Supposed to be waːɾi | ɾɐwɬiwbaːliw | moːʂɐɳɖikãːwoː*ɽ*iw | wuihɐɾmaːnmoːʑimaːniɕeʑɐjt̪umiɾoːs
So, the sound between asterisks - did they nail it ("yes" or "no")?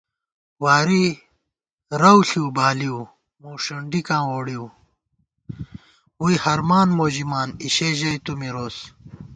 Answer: yes